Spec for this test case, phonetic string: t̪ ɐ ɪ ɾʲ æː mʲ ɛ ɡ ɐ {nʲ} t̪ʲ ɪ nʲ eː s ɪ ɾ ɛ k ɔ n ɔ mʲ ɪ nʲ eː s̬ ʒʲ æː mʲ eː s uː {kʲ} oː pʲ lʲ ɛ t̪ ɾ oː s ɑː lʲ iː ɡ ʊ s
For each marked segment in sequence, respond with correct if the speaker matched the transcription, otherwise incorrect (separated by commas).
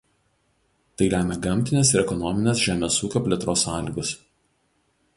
incorrect, correct